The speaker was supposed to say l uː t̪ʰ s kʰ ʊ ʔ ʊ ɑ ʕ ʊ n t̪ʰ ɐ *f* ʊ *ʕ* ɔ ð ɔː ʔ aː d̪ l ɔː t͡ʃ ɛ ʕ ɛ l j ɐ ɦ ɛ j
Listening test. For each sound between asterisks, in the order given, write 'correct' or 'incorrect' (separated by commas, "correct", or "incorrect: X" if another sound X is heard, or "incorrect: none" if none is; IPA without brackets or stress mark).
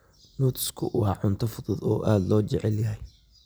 correct, incorrect: ð